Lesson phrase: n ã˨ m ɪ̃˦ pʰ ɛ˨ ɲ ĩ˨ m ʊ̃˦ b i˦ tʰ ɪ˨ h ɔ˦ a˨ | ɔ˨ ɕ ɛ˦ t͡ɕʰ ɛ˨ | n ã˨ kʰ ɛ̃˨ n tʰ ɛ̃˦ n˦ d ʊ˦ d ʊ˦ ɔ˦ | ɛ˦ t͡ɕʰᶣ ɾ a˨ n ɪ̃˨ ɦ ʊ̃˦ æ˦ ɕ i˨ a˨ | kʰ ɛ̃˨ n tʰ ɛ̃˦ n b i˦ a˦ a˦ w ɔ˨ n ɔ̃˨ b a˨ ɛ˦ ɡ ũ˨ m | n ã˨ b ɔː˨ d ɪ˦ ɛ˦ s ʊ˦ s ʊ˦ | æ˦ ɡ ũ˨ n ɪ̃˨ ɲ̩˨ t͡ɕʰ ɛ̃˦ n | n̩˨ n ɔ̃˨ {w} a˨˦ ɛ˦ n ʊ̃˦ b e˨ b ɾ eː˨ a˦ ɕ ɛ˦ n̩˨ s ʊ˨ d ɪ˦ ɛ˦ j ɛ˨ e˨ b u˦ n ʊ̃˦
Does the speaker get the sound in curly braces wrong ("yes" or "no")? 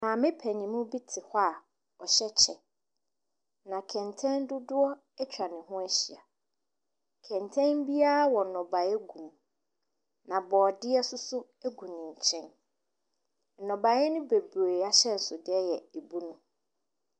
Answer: yes